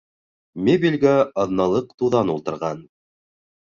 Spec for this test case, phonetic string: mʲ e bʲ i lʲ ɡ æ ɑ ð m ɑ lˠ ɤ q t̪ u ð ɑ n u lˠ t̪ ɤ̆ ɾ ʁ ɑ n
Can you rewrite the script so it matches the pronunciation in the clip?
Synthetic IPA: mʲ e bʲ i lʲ ɡ æ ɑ ð n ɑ lˠ ɤ q t̪ u ð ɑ n u lˠ t̪ ɤ̆ ɾ ʁ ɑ n

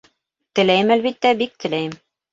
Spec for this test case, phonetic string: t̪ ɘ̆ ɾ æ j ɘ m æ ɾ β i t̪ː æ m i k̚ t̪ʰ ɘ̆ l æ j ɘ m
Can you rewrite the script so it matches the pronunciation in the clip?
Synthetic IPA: t̪ ɘ̆ l æ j ɘ m æ l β i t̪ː æ b i k̚ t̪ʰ ɘ̆ l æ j ɘ m

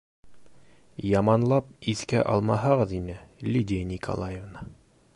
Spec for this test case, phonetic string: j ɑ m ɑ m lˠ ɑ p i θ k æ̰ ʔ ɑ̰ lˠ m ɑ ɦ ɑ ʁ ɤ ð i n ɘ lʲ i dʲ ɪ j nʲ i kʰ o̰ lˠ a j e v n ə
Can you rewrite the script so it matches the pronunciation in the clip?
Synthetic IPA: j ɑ m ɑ n lˠ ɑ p i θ k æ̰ ʔ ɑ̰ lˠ m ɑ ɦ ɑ ʁ ɤ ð i n ɘ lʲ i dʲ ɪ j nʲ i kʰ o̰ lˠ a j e v n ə

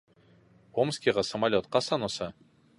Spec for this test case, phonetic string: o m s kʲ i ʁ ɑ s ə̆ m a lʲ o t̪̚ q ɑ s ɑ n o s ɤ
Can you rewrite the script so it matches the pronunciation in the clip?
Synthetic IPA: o m s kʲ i ʁ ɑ s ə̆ m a lʲ o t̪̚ q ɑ s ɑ n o s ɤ

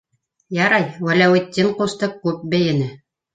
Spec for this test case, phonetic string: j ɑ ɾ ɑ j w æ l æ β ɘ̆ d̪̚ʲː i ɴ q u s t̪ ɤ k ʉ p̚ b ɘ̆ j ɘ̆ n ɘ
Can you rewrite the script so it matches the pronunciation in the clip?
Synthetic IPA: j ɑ ɾ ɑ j w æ l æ w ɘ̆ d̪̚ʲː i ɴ q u s t̪ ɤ k ʉ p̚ b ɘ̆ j ɘ̆ n ɘ

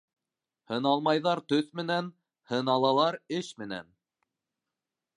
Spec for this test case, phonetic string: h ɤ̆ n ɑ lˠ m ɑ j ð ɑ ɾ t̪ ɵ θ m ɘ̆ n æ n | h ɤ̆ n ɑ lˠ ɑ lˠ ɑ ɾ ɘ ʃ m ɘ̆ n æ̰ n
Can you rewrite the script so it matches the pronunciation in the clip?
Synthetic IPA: h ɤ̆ n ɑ lˠ m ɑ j ð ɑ ɾ t̪ ɵ θ m ɘ̆ n æ n | h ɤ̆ n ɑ lˠ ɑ lˠ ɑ ɾ ɘ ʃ m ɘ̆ n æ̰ n

